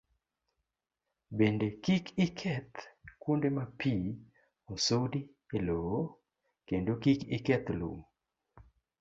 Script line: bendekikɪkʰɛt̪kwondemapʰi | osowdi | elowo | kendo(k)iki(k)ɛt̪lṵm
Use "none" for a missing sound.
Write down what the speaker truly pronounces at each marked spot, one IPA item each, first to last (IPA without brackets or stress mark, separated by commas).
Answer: k, k